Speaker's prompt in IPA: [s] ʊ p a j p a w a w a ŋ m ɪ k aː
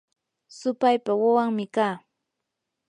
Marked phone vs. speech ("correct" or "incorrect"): correct